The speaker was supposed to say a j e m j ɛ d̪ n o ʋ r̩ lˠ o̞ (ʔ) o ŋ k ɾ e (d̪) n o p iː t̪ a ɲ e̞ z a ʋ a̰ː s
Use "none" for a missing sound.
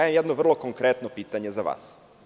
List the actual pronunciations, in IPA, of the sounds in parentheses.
k, t̪

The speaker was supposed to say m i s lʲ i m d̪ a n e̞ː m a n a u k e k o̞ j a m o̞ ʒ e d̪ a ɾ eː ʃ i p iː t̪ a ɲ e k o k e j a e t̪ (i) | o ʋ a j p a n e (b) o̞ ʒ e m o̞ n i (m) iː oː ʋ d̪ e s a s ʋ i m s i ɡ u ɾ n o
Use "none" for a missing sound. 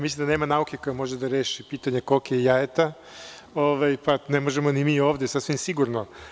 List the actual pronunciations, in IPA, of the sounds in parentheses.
a, m, m

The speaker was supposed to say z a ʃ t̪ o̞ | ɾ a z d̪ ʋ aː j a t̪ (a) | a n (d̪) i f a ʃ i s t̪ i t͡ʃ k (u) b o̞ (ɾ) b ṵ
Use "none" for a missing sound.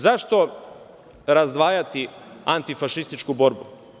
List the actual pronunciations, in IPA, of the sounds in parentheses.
i, t̪, u, ɾ

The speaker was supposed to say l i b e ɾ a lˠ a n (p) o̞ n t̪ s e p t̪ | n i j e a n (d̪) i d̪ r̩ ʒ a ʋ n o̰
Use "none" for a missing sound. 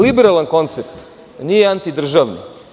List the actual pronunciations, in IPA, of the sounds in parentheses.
k, t̪

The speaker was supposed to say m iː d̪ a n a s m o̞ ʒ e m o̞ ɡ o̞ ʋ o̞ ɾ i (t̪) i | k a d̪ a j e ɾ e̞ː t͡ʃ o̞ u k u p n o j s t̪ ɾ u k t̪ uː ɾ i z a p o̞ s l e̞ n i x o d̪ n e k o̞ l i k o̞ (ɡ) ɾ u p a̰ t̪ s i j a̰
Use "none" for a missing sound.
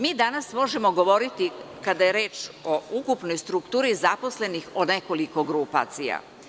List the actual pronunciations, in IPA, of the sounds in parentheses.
t̪, ɡ

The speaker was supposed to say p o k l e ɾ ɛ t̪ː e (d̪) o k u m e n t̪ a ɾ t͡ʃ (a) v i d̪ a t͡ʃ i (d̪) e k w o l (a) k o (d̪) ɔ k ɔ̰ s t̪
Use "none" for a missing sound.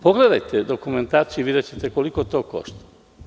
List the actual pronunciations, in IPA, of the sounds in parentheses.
d̪, i, t̪, i, t̪

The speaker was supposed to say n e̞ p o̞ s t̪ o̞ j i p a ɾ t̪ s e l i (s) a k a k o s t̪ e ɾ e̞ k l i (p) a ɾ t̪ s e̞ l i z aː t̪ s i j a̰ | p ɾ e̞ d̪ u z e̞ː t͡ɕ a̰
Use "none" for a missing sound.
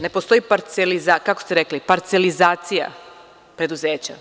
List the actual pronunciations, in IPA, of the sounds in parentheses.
z, p

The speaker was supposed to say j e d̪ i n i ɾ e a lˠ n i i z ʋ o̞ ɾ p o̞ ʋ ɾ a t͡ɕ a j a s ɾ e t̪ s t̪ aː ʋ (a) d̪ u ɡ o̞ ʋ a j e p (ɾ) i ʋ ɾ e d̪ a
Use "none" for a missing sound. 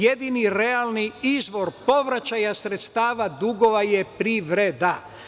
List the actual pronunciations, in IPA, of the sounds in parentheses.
a, ɾ

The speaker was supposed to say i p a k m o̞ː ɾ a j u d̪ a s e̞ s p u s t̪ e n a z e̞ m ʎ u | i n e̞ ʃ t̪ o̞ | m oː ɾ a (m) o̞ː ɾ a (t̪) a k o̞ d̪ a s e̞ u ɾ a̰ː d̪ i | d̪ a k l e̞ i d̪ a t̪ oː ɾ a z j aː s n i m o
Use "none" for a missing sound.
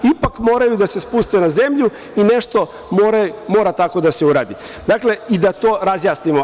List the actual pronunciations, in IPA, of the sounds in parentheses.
m, t̪

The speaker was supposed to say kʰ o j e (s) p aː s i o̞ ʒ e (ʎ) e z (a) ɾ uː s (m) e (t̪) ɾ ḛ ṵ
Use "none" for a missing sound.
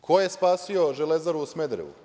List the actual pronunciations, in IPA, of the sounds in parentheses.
s, l, a, m, d̪

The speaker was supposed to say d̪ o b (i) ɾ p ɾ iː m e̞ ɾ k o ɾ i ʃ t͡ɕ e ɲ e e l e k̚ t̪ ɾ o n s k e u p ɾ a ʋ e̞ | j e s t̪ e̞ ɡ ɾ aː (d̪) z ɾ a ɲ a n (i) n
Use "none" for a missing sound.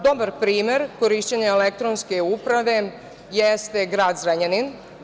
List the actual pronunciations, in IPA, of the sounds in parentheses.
a, d̪, i

